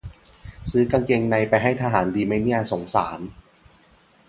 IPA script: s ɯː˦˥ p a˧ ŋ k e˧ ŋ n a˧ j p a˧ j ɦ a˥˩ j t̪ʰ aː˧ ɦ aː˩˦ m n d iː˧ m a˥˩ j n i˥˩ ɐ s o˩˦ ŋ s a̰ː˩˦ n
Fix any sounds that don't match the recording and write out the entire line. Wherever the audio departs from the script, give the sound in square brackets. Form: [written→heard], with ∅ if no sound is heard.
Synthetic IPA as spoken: s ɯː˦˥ [p→k] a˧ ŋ k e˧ ŋ n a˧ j p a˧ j ɦ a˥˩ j t̪ʰ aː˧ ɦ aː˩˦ [m→∅] n d iː˧ m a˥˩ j n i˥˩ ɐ s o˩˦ ŋ s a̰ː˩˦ n